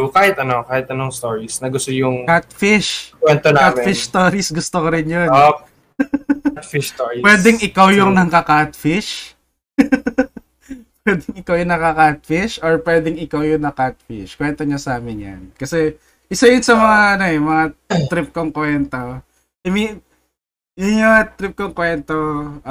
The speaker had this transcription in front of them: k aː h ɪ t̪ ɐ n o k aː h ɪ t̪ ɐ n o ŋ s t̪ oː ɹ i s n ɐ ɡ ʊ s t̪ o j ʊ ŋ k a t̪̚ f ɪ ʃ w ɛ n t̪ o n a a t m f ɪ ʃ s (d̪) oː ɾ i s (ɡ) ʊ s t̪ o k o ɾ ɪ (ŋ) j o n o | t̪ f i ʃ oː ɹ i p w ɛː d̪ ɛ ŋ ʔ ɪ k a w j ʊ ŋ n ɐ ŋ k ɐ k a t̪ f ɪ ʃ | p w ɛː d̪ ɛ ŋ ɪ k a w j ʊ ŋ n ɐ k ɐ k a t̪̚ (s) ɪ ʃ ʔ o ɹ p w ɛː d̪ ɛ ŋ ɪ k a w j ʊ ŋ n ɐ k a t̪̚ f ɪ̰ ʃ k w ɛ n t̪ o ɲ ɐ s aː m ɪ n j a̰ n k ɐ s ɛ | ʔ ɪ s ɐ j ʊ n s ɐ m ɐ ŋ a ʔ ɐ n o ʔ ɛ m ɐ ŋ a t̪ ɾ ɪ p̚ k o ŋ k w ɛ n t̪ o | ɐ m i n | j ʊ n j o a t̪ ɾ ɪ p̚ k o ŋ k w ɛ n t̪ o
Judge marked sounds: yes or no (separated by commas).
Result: no, yes, no, no